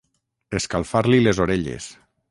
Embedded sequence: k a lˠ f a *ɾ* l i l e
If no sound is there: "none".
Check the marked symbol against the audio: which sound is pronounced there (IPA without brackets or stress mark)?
ɾ